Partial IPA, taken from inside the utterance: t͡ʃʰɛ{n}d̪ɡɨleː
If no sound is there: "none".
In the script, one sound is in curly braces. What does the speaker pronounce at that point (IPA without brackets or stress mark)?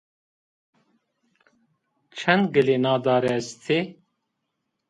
n